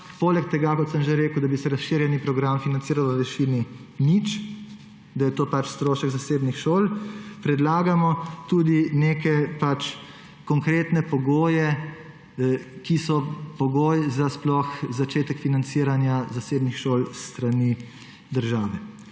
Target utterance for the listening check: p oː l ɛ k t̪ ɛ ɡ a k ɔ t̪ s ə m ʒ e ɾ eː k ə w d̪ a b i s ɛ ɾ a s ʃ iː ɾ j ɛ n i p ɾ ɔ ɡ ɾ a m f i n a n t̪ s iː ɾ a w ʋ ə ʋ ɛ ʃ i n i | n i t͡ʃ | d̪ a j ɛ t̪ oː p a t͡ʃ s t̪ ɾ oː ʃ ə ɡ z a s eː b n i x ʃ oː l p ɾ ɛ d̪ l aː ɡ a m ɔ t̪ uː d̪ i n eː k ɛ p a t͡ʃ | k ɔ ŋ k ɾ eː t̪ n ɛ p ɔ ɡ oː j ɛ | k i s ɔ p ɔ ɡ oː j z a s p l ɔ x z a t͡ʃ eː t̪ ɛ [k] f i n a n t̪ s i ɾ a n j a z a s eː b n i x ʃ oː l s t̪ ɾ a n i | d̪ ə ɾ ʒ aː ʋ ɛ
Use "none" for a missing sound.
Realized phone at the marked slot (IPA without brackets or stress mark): k